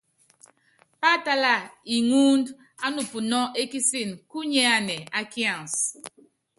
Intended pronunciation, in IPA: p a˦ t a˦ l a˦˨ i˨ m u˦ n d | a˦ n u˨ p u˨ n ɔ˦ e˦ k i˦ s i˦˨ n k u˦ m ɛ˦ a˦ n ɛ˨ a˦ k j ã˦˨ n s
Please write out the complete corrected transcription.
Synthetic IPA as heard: p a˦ t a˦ l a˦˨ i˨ ŋ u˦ n d | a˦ n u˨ p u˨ n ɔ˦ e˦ k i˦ s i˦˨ n k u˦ ɲ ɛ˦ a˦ n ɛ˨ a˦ k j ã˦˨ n s